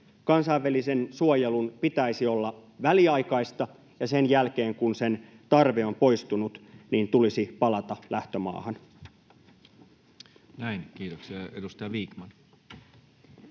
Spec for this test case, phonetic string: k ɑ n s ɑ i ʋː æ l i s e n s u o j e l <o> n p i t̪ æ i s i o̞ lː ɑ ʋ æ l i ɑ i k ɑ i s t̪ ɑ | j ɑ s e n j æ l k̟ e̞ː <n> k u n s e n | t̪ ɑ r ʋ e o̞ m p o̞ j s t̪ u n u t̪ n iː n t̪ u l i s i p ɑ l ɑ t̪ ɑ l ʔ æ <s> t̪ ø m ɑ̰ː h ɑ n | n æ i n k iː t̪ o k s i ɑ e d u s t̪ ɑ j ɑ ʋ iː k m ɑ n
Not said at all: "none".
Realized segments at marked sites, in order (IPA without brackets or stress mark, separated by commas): u, ŋ, h